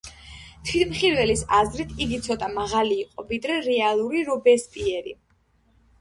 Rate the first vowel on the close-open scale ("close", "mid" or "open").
close